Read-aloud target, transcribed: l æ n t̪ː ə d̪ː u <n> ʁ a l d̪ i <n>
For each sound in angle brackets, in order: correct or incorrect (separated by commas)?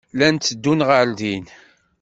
correct, correct